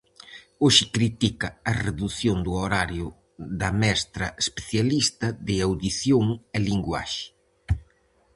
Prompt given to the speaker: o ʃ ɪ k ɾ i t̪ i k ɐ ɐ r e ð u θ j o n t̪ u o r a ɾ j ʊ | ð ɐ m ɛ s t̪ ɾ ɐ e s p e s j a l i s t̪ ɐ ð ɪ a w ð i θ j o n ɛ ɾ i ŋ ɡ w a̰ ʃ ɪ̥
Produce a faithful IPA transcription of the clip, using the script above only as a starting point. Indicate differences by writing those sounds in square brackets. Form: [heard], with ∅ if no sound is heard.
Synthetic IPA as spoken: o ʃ ɪ k ɾ i t̪ i k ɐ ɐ r e ð u θ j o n [d̪] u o [ɾ] a ɾ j ʊ | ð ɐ m ɛ s t̪ ɾ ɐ e s p e [θ] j a l i s t̪ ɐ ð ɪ a w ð i θ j o [ŋ] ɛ [l] i ŋ ɡ w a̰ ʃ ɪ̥